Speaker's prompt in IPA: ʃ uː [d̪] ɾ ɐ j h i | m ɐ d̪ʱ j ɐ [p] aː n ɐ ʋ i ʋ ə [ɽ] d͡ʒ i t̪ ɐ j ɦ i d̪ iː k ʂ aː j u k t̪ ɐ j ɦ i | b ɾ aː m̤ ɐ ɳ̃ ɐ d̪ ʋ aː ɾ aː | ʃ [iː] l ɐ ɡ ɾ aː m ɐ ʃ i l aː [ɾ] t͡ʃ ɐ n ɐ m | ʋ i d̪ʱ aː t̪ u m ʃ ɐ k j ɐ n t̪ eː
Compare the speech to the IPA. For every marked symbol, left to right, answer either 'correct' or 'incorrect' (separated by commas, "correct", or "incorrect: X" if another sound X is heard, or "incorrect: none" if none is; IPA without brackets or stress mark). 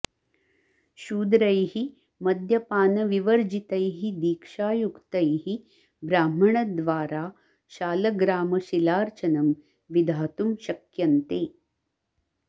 correct, correct, incorrect: ɾ, incorrect: aː, correct